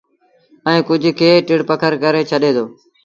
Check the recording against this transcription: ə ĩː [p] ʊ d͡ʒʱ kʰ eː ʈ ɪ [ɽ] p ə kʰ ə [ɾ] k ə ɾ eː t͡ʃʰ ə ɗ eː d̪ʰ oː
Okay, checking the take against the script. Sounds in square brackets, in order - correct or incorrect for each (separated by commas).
incorrect, correct, correct